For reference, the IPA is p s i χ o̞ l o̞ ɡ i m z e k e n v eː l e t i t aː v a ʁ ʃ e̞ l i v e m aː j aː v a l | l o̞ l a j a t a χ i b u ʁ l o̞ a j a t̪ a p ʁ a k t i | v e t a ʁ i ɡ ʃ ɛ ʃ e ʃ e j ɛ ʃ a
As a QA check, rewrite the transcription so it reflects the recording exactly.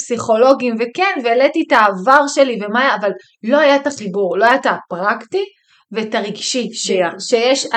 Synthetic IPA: p s i χ o̞ l o̞ ɡ i m v e k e n v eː l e t i t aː v a ʁ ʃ e̞ l i v e m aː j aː v a l | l o̞ a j a t a χ i b u ʁ l o̞ a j a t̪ a p ʁ a k t i | v e t a ʁ i ɡ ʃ i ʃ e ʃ e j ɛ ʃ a